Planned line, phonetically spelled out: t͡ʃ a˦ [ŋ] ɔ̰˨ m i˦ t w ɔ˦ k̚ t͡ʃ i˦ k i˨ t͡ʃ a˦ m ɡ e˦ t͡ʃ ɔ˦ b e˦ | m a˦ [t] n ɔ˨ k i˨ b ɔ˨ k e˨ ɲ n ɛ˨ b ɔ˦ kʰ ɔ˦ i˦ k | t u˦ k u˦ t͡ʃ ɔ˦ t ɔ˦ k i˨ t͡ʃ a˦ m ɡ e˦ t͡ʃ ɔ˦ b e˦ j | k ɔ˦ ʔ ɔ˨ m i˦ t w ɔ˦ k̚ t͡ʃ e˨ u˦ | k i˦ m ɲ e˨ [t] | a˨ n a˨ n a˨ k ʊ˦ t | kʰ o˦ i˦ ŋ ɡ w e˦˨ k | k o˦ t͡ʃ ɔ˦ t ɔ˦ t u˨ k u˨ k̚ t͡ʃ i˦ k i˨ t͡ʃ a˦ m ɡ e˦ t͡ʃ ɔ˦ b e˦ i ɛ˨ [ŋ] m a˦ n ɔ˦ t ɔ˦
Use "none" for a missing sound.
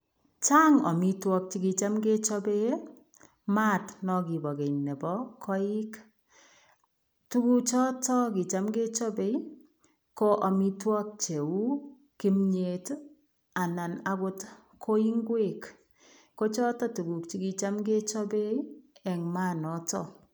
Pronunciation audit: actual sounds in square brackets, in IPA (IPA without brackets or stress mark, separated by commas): ŋ, t, t, ŋ